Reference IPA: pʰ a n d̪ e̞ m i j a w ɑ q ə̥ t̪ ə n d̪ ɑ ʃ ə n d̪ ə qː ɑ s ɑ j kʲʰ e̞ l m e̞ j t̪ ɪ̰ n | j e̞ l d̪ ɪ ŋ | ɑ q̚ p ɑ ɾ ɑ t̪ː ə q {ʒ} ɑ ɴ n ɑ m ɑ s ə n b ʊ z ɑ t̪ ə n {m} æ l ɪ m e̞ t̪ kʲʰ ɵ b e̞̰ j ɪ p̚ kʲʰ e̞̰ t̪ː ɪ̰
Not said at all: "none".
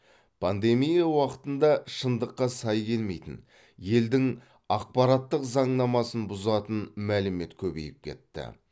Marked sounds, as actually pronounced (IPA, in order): z, m

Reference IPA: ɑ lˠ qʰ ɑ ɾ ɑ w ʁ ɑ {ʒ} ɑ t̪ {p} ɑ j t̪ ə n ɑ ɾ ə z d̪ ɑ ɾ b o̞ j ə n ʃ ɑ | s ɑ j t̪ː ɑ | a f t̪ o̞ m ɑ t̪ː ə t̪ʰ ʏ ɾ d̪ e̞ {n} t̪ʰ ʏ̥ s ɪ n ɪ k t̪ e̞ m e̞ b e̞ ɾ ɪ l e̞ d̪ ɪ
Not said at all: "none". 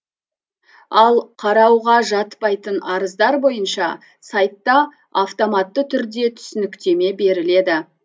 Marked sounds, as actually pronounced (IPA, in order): ʒ, p, none

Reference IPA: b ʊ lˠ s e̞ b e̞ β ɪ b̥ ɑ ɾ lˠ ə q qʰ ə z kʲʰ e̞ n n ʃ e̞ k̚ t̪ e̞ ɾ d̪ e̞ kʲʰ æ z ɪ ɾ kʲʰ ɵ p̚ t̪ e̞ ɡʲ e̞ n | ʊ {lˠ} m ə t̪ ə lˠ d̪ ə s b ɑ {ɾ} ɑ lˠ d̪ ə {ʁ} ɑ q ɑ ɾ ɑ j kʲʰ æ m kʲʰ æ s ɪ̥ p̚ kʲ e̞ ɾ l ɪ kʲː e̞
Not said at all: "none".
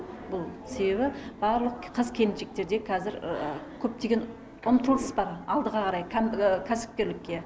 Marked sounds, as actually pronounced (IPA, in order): none, ɾ, ʁ

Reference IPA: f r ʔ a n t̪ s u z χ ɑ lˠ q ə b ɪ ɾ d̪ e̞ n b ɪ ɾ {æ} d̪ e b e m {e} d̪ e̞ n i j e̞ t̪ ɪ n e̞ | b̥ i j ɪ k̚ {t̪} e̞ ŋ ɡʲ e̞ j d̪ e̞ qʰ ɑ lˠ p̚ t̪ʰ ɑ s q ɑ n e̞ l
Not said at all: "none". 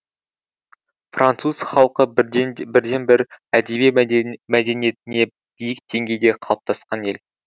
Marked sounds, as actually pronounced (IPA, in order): æ, æ, d̪

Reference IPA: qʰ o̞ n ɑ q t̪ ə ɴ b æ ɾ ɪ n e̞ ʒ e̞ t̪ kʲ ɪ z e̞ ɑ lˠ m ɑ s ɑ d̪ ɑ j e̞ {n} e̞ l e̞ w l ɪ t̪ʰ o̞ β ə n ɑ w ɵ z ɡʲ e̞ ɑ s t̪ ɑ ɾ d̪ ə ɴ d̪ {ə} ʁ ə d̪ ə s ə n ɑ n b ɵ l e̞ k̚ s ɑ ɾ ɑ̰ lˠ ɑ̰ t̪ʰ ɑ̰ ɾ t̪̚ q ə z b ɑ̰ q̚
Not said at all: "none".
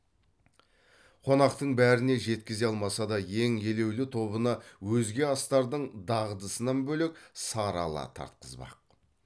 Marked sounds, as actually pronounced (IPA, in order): ŋ, ɑ

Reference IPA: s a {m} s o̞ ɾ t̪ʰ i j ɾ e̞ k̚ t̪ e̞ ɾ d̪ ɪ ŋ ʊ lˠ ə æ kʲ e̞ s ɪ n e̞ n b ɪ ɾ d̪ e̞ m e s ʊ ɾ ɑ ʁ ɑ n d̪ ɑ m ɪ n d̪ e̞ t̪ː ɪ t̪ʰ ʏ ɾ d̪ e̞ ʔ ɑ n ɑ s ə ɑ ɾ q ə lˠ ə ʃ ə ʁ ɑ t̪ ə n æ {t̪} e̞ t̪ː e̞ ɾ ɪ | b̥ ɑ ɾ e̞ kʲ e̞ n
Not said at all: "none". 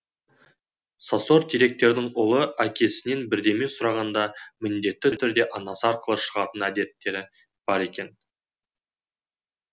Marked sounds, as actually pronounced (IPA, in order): none, d̪

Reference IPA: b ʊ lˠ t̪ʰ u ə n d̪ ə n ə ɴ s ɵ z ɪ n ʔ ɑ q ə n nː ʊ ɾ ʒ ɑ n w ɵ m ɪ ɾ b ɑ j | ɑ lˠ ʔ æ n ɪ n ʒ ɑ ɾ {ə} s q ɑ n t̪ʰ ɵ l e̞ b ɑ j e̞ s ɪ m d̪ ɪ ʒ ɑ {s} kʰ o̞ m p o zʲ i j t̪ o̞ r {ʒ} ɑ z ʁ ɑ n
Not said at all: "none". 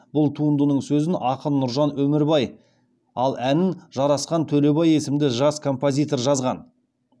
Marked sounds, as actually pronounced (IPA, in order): ɑ, s, ʒ

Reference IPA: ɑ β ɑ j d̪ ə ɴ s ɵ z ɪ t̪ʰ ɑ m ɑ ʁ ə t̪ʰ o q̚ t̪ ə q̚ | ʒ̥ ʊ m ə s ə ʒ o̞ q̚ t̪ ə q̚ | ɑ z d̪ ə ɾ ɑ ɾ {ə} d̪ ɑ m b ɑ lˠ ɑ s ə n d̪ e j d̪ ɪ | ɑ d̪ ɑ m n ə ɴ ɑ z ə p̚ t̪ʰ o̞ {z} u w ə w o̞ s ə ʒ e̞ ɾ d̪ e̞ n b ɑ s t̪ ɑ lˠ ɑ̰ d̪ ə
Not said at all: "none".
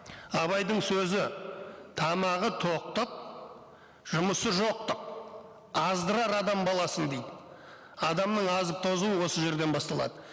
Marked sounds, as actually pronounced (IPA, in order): ɑ, z

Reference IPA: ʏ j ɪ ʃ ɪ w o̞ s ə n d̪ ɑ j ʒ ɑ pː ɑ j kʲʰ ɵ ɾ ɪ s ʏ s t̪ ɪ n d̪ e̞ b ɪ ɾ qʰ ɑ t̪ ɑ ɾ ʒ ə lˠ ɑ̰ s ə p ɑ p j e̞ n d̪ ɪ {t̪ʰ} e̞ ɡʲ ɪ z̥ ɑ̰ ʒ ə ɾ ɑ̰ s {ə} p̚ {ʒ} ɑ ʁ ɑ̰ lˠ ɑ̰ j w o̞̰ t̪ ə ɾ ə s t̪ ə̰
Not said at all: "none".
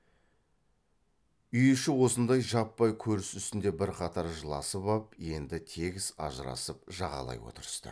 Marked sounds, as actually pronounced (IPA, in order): t̪ʰ, ə, ʒ

